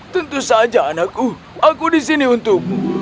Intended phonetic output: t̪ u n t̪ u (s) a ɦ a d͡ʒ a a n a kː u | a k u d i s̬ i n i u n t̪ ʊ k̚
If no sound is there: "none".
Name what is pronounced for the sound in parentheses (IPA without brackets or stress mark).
s